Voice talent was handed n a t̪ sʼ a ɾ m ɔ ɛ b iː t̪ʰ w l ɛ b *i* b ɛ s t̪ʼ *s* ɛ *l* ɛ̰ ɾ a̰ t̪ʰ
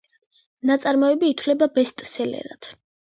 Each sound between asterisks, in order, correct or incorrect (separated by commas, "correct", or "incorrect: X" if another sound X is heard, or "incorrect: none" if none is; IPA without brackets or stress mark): incorrect: a, correct, correct